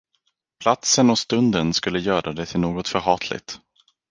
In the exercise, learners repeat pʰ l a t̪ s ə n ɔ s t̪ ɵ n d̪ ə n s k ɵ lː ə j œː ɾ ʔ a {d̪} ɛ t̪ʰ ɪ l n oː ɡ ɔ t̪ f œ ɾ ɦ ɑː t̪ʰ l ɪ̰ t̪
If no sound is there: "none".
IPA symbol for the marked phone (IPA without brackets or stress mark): d̪